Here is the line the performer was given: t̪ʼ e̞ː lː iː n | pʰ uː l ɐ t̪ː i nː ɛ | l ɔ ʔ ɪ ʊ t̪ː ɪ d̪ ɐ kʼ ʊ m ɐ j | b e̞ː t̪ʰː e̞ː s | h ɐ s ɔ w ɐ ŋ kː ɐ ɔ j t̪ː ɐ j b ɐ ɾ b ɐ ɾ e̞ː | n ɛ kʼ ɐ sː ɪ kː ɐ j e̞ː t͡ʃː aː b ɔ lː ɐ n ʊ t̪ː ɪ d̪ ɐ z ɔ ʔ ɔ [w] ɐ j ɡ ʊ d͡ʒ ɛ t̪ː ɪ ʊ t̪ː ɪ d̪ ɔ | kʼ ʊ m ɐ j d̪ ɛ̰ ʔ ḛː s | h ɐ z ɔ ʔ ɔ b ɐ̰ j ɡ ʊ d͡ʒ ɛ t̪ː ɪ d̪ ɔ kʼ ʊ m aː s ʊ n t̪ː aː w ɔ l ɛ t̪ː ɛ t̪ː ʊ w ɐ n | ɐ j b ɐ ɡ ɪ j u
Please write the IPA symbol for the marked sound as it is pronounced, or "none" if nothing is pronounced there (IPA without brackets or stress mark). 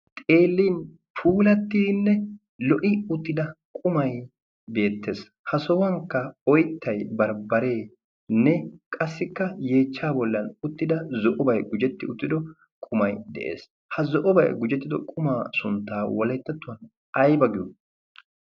b